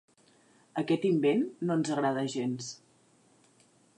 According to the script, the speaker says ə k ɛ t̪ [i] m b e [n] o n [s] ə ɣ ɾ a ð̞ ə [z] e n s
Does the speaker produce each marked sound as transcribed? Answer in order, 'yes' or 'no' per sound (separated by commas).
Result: yes, no, no, no